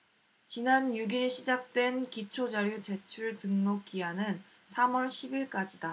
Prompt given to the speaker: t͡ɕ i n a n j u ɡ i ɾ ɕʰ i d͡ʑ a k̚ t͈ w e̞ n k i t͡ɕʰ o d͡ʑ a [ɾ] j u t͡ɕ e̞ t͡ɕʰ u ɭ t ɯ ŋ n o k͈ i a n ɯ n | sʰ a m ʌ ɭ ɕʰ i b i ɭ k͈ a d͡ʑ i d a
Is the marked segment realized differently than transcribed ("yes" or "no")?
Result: no